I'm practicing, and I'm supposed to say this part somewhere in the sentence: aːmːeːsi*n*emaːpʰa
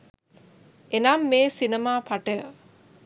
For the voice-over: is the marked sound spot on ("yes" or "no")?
yes